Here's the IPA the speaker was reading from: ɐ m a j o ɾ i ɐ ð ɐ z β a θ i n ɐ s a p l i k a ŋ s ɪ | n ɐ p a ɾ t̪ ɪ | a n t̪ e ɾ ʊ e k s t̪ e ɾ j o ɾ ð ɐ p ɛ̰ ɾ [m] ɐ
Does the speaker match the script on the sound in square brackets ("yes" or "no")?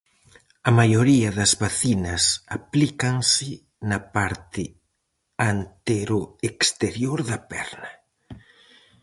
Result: no